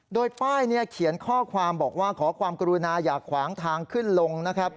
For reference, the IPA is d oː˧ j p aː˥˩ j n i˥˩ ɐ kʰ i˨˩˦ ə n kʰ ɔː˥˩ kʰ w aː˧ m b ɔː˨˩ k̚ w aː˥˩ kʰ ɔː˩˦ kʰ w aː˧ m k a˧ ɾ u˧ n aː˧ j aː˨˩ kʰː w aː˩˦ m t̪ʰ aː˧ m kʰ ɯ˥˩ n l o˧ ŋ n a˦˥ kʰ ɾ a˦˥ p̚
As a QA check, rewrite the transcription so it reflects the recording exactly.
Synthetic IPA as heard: d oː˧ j p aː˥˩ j n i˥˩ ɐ kʰ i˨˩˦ ə n kʰ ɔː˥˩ kʰ w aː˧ m b ɔː˨˩ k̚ w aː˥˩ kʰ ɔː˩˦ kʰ w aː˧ m k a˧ ɾ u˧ n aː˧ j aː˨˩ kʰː w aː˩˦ ŋ t̪ʰ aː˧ ŋ kʰ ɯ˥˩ n l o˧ ŋ n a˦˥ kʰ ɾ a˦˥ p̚

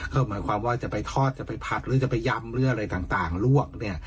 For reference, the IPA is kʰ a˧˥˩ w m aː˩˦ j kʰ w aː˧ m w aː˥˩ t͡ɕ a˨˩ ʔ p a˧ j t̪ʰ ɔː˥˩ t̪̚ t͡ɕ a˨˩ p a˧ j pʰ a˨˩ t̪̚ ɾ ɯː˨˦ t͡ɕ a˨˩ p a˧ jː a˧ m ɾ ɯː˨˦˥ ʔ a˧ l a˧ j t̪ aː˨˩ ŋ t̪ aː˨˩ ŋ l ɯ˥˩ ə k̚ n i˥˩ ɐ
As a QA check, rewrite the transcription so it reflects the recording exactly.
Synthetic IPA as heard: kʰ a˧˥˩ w m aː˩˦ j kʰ w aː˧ m w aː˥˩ t͡ɕ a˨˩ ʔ p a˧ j t̪ʰ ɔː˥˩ t̪̚ t͡ɕ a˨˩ p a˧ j pʰ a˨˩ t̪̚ ɾ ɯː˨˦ t͡ɕ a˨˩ p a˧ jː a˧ m ɾ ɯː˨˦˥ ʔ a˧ ɾ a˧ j t̪ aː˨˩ ŋ t̪ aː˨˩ ŋ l u˥˩ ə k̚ n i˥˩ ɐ

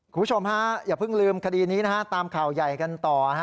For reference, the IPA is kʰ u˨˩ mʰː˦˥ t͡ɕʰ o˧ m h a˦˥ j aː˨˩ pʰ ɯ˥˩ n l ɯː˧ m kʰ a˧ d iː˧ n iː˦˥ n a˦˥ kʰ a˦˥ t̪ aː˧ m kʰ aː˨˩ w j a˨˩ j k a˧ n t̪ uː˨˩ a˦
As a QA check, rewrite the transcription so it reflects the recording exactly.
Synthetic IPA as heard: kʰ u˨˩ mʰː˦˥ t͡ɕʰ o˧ m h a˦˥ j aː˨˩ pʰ ɯ˥˩ ŋ l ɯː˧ m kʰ a˧ d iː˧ n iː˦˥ n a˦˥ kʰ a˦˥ t̪ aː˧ m kʰ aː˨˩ w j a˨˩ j k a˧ n t̪ ɔː˨˩ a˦

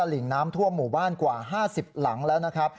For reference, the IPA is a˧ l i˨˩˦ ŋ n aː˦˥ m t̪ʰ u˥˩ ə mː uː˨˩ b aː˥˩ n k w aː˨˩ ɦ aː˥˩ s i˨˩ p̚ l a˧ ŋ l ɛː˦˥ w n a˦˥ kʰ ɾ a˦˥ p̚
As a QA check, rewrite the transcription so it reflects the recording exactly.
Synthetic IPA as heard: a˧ l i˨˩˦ ŋ n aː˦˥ m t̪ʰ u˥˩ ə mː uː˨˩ b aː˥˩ n k w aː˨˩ ɦ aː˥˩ s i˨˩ p̚ l a˩˦ ŋ l ɛː˦˥ w n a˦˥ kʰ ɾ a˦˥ p̚

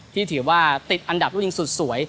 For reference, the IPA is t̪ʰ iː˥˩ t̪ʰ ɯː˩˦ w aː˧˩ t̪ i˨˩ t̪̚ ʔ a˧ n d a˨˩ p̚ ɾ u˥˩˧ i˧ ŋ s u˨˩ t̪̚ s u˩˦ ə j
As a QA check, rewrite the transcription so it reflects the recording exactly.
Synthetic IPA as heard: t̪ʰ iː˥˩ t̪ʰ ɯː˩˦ w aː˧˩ t̪ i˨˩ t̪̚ ʔ a˧ n d a˨˩ p̚ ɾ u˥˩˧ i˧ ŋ s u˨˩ t̪̚ s u˩˦ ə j

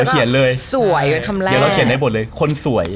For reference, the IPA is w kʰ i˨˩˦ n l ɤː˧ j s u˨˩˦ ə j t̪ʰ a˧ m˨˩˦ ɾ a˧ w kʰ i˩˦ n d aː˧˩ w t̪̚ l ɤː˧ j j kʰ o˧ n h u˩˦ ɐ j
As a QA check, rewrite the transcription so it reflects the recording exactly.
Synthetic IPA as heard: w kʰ i˨˩˦ n l ɤː˧ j s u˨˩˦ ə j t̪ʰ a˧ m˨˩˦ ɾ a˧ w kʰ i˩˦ n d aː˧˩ b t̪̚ l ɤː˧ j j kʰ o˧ n s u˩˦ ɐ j

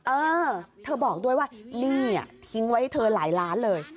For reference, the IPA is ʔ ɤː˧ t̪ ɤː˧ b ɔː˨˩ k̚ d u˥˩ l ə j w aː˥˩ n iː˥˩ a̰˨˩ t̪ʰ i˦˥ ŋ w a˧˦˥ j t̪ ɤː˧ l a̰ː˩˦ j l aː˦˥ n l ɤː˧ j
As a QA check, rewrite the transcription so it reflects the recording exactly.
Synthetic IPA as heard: ʔ ɤː˧ t̪ʰ ɤː˧ b ɔː˨˩ k̚ d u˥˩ ə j w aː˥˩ n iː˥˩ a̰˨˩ t̪ʰ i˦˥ ŋ w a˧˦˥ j t̪ʰ ɤː˧ l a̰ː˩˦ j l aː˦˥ n l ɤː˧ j

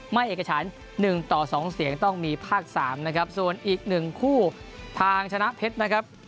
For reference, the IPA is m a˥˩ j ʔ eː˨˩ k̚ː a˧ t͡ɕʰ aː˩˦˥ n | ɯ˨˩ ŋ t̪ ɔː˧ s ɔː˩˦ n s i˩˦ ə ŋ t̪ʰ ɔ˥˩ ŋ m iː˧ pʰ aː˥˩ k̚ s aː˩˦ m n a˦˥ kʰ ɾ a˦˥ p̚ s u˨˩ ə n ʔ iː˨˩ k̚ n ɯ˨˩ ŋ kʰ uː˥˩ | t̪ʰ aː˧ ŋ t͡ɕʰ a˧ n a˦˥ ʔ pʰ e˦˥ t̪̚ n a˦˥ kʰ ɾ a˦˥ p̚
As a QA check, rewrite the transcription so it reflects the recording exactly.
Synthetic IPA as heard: m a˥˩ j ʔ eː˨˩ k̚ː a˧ t͡ɕʰ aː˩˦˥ nː | ɯ˨˩ ŋ t̪ ɔː˨˩ s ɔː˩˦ ŋ s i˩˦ ə ŋ t̪ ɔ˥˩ ŋ m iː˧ pʰ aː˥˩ k̚ s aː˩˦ m n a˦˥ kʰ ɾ a˦˥ p̚ s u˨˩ ə n ʔ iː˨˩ k̚ n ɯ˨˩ ŋ kʰ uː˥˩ | t̪ʰ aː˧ ŋ t͡ɕʰ a˧ n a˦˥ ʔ pʰ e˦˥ t̪̚ n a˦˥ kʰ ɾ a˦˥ p̚

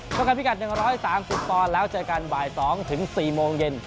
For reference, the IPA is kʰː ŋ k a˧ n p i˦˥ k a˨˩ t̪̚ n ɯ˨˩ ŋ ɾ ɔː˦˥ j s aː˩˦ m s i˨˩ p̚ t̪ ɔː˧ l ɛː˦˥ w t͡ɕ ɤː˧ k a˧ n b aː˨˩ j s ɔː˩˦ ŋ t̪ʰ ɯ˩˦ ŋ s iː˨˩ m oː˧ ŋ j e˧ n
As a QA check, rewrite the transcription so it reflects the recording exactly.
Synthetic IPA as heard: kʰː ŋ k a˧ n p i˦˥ k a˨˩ t̪̚ n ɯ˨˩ ŋ ɾ ɔː˦˥ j s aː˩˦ m s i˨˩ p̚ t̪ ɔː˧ l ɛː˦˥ w t͡ɕ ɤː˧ k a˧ n b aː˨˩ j s ɔː˩˦ ŋ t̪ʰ ɯ˩˦ ŋ s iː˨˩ m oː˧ ŋ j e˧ n

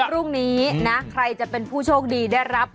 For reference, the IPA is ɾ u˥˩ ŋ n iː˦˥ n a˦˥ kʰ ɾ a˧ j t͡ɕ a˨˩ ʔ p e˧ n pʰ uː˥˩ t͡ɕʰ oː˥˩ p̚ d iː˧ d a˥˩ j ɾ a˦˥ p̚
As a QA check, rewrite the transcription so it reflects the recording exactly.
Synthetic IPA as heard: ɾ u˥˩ ŋ n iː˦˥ n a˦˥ kʰ ɾ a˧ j t͡ɕ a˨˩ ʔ p e˧ n pʰ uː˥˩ t͡ɕʰ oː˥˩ k̚ d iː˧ d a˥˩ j ɾ a˦˥ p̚

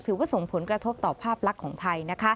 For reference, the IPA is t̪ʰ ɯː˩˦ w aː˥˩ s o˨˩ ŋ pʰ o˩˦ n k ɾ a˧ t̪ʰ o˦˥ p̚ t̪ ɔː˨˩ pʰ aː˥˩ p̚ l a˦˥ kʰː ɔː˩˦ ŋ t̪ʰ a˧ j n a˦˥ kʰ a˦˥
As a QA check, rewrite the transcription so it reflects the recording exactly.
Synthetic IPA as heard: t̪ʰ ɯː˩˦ w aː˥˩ s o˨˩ ŋ pʰ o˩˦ n k ɾ a˧ t̪ʰ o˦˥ p̚ t̪ ɔː˨˩ pʰ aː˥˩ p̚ l a˦˥ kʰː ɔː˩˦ ŋ t̪ʰ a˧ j n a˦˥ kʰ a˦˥

